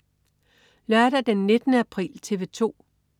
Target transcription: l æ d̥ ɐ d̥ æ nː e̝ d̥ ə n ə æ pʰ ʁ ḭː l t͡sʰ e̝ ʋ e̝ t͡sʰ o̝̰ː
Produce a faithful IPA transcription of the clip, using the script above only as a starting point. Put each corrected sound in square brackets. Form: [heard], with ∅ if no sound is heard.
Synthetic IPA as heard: l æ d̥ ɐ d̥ [e] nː e̝ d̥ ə n ə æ pʰ ʁ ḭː l t͡sʰ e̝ ʋ e̝ t͡sʰ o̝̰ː